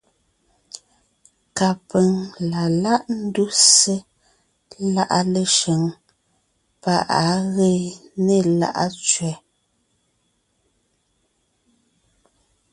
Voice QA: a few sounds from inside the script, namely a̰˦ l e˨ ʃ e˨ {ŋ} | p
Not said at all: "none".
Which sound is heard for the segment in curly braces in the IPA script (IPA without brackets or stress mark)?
ŋ